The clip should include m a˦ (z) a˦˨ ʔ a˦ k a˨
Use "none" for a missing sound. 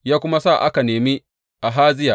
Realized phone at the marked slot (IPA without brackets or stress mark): s